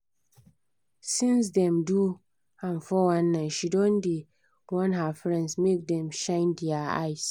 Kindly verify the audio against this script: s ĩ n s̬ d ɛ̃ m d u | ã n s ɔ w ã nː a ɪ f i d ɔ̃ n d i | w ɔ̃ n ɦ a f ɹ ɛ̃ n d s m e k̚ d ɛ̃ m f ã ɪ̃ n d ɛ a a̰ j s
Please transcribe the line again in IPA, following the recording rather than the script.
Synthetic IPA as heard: s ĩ n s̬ d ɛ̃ m d u | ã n f ɔ w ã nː a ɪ ʃ i d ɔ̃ n d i | w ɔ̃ n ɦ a f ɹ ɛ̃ n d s m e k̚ d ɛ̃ m ʃ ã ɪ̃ n d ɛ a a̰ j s